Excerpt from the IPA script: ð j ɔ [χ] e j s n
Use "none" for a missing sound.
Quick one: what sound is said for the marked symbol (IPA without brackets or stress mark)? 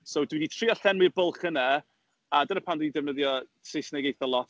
s